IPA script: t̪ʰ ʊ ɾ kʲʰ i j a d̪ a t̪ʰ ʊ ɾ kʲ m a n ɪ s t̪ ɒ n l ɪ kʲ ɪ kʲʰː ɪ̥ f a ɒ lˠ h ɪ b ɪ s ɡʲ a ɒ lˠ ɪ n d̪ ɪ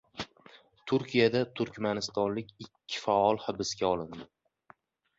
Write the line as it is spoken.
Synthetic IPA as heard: t̪ʰ ʊ ɾ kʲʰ i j a d̪ a t̪ʰ ʊ ɾ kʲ m a n ɪ s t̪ ɒ n l ɪ kʲ ɪ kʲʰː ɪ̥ f a ɒ lˠ h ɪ b ɪ s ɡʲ a ɒ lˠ ɪ n d̪ ɪ